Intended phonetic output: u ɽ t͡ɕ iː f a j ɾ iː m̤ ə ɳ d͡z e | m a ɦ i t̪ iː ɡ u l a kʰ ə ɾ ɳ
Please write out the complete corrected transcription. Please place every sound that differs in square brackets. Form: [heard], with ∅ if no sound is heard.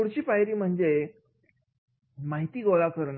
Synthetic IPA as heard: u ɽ t͡ɕ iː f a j ɾ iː m̤ ə ɳ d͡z e | m a ɦ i t̪ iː ɡ [o] l a [k] ə ɾ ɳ